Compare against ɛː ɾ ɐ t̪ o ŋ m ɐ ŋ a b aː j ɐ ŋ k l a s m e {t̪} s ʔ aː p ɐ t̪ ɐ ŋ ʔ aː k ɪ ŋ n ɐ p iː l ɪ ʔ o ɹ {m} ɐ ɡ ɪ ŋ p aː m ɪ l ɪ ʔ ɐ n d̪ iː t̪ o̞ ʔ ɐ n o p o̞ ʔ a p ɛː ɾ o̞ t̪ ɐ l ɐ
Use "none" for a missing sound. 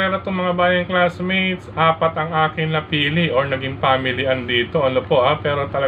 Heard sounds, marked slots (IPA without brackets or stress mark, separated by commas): t̪, n